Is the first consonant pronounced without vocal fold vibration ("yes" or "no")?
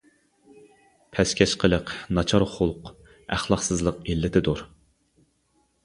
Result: yes